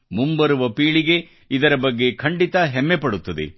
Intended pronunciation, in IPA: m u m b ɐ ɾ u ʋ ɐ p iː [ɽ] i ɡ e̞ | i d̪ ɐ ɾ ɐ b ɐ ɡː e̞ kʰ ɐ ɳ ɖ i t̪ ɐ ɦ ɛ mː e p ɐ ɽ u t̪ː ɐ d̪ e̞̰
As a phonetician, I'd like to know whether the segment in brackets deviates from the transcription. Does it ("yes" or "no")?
yes